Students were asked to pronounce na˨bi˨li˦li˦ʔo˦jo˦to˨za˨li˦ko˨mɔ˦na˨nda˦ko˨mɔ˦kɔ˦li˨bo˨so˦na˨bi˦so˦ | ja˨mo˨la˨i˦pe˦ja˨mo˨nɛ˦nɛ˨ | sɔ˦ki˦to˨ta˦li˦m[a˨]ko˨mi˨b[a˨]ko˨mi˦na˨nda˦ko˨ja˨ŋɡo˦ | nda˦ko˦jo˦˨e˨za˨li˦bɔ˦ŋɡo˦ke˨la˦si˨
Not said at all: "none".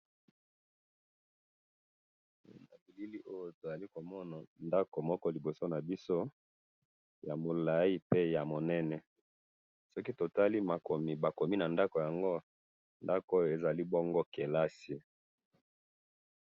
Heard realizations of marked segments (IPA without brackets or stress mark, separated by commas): a˨, a˨